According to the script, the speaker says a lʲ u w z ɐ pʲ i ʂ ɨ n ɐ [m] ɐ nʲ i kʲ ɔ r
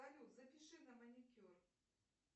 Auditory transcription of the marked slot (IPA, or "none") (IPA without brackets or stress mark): m